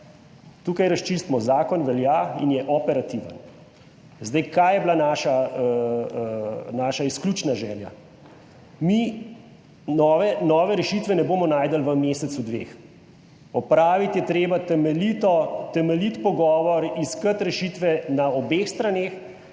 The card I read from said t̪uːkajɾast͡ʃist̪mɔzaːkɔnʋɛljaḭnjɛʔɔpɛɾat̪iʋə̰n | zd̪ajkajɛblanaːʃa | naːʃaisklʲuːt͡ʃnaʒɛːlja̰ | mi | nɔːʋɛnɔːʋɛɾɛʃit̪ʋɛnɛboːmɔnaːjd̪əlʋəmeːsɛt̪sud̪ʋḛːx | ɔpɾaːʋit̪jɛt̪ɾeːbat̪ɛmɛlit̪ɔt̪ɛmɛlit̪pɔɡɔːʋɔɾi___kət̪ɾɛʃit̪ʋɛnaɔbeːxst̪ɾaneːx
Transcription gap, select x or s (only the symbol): s